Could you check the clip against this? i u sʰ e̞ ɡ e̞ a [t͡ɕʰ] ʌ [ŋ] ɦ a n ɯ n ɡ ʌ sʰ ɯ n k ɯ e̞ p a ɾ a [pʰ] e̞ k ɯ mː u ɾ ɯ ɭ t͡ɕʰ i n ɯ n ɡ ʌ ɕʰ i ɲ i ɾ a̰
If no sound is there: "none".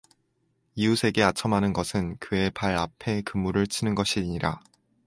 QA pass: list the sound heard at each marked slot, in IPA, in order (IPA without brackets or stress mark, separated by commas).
t͡ɕʰ, m, pʰ